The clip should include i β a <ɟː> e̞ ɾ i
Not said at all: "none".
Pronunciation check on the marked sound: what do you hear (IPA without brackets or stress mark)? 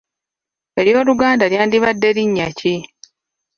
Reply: dː